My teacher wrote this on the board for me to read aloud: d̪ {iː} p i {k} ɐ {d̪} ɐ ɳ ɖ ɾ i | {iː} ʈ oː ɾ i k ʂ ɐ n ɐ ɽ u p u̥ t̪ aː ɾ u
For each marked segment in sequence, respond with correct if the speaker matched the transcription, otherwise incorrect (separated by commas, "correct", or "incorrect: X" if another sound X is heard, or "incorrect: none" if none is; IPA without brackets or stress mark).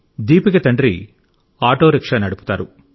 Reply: correct, correct, incorrect: t̪, incorrect: aː